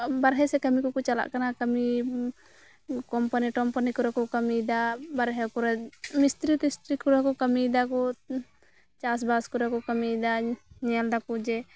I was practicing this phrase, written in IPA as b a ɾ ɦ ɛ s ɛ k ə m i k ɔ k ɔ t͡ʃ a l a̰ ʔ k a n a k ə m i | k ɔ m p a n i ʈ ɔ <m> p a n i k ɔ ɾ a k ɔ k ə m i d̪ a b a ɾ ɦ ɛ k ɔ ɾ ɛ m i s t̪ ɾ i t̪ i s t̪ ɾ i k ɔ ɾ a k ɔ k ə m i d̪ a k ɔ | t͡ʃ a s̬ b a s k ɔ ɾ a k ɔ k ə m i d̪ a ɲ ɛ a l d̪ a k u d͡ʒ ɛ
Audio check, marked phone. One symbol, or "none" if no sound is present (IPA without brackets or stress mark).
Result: m